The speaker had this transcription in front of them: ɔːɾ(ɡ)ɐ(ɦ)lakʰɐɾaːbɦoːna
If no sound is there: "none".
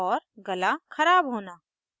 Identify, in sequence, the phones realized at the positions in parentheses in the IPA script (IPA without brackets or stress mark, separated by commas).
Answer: ɡ, none